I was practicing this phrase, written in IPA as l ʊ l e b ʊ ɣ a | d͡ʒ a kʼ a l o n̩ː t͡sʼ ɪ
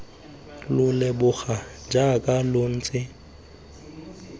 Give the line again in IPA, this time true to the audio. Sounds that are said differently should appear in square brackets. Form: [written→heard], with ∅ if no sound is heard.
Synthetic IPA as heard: l ʊ l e b ʊ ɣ a | d͡ʒ a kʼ a l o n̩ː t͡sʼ ɪ